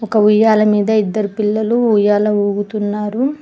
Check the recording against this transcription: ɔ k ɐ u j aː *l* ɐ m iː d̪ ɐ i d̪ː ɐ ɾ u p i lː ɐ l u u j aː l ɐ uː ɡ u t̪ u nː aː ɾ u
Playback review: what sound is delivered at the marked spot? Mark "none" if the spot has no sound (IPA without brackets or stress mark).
l